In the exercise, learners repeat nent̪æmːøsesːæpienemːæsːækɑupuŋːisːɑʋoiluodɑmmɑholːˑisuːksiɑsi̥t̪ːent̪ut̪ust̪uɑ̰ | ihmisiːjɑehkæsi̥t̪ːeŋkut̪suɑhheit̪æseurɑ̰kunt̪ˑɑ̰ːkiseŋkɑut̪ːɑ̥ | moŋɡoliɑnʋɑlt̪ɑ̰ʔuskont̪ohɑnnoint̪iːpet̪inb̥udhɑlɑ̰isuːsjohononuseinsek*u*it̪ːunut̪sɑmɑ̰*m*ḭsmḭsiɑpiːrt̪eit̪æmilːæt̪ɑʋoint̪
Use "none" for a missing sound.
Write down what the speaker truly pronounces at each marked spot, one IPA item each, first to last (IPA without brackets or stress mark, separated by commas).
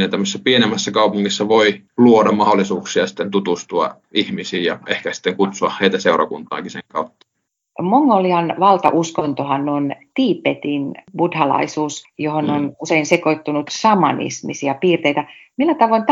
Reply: o, n